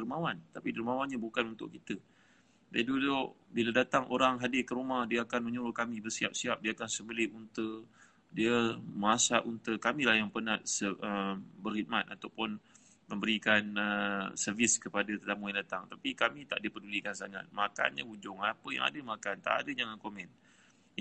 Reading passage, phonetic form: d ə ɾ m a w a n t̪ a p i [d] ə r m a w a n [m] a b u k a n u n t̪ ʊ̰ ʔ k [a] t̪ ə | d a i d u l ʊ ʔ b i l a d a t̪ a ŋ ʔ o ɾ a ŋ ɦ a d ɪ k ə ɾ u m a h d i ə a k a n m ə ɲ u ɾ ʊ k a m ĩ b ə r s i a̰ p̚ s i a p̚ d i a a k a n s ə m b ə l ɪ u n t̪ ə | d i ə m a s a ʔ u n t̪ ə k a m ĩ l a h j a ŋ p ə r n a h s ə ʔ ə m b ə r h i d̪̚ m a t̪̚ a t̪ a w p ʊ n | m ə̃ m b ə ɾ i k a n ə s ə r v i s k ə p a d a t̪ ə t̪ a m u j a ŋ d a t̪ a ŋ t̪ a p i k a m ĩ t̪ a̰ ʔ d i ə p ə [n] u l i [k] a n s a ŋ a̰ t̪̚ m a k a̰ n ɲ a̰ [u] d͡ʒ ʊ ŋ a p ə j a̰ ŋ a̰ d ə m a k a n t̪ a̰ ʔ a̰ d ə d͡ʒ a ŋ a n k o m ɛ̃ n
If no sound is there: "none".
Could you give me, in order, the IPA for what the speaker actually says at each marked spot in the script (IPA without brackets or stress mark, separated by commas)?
d, ɲ, i, d, k, u